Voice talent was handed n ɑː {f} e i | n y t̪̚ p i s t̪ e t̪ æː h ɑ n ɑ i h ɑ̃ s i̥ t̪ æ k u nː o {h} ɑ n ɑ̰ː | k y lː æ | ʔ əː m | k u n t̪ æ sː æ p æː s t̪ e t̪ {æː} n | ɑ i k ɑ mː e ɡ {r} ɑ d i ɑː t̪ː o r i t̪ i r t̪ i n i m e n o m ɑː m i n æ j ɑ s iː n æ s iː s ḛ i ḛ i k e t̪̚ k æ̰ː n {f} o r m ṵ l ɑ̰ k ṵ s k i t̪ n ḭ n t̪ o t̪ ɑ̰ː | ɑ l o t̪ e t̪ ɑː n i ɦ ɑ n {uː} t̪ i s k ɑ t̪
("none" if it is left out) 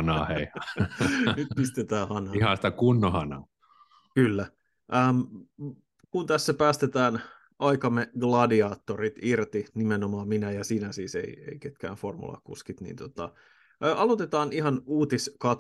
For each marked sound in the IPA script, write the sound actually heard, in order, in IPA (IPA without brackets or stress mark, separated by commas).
h, h, æː, l, f, uː